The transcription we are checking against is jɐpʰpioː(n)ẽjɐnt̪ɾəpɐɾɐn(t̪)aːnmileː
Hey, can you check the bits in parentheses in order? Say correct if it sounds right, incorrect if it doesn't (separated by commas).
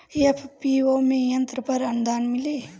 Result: incorrect, incorrect